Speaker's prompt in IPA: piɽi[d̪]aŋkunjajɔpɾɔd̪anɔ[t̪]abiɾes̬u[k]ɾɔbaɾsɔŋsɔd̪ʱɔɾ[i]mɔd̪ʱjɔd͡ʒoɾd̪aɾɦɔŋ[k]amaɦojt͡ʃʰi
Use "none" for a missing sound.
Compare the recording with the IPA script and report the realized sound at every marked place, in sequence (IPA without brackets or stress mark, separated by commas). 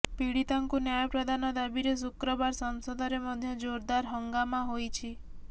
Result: t̪, d̪, k, e, ɡ